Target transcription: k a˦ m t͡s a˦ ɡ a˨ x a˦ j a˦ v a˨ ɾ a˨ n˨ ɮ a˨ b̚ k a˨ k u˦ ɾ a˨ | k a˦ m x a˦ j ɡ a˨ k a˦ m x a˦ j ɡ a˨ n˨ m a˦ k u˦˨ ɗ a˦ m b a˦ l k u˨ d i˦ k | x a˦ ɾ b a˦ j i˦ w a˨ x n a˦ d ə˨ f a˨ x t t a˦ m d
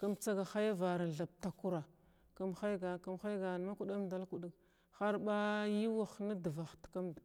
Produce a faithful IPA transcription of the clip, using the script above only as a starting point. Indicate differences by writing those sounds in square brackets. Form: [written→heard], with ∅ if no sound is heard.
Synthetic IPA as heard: k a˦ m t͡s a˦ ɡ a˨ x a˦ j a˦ v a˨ ɾ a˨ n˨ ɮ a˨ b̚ [k→t] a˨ k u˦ ɾ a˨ | k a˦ m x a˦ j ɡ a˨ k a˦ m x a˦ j ɡ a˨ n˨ m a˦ k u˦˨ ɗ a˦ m [b→d] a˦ l k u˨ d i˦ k | x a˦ ɾ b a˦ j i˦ w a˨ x n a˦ d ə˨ [f→v] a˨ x t [t→k] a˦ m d